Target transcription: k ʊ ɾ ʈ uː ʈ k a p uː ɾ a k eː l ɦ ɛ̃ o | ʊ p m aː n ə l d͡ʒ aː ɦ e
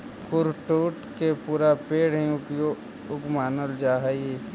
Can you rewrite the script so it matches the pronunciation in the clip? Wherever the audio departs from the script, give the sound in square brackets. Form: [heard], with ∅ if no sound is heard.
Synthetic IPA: k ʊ ɾ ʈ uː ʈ k [e] p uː ɾ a [p] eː [ɽ] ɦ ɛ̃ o | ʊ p m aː n ə l d͡ʒ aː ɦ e